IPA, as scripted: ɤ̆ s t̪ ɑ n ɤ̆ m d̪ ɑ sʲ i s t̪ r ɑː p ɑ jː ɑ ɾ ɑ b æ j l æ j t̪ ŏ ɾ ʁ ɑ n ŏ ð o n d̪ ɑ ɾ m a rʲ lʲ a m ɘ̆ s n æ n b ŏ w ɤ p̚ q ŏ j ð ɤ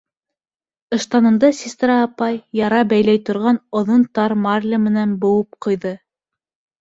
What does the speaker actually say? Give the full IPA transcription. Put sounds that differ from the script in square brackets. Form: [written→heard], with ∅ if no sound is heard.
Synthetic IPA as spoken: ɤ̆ [s→ʃ] t̪ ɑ n ɤ̆ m d̪ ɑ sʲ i s t̪ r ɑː p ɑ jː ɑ ɾ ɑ b æ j l æ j t̪ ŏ ɾ ʁ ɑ n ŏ ð o n [d̪→t̪] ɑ ɾ m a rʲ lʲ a m ɘ̆ [s→∅] n æ n b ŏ w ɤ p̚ q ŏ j ð ɤ